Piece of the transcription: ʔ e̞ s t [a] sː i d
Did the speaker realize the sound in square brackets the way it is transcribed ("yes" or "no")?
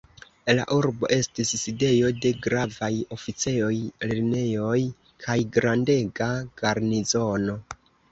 no